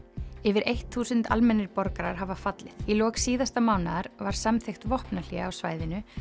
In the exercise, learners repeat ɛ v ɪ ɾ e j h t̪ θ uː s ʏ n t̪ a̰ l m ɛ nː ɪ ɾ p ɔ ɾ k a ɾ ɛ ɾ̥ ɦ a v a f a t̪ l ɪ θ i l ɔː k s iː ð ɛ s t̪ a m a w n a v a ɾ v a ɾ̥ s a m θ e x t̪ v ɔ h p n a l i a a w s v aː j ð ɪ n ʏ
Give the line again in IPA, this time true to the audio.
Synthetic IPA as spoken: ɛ v ɪ ɾ e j h t̪ θ uː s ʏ n t̪ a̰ l m ɛ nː ɪ ɾ p ɔ ɾ k a ɾ a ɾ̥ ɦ a v a f a t̪ l ɪ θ i l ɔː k s iː ð a s t̪ a m a w n a ð a ɾ v a ɾ̥ s a m θ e x t̪ v ɔ h p n a l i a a w s v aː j ð ɪ n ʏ